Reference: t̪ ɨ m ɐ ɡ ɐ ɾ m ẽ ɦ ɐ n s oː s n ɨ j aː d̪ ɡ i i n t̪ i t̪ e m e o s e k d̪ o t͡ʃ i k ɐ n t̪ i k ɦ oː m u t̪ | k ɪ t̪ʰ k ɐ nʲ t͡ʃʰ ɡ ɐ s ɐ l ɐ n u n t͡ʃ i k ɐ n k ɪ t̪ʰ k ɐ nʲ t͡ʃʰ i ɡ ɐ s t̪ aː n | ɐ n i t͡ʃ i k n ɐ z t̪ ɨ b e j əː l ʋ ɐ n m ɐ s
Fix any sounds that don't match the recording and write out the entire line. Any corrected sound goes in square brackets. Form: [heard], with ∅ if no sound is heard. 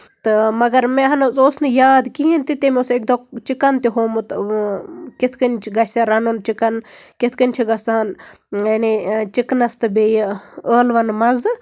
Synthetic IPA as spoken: t̪ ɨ m ɐ ɡ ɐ ɾ m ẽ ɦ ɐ n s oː s n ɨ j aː d̪ [k] i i n t̪ i t̪ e m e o s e k d̪ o t͡ʃ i k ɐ n t̪ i [∅] ɦ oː m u t̪ | k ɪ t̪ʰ k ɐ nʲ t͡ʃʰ ɡ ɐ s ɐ [ɾ] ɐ n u n t͡ʃ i k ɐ n k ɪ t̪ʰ k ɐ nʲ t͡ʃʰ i ɡ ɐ s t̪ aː n | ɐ n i t͡ʃ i k n ɐ [s] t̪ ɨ b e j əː l ʋ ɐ n m ɐ [z]